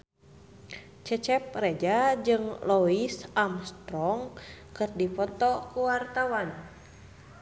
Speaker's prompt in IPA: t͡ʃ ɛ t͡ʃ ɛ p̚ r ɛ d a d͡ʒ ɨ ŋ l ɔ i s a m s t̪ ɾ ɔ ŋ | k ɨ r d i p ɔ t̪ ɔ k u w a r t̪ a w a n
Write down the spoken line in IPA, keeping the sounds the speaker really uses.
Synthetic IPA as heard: t͡ʃ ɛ t͡ʃ ɛ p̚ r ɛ d͡ʒ a d͡ʒ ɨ ŋ l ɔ i s a m s t̪ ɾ ɔ ŋ | k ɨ r d i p ɔ t̪ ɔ k u w a r t̪ a w a n

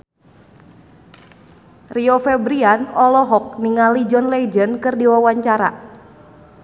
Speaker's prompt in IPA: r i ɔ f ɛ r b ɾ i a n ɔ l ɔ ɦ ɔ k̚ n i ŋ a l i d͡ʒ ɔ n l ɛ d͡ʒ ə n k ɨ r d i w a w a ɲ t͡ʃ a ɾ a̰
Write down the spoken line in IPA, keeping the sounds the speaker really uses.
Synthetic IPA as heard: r i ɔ f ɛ b ɾ i a n ɔ l ɔ ɦ ɔ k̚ n i ŋ a l i d͡ʒ ɔ n l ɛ d͡ʒ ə n k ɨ r d i w a w a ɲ t͡ʃ a ɾ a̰

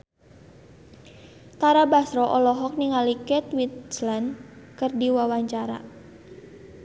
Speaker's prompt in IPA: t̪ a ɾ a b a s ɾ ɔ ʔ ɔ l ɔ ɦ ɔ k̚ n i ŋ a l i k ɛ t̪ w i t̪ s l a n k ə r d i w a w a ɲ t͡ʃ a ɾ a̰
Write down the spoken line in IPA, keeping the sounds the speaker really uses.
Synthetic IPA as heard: t̪ a ɾ a b a s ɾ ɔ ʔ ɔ l ɔ ɦ ɔ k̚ n i ŋ a l i k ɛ t̪ w i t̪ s l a n k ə r d i w a w a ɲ t͡ʃ a ɾ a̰

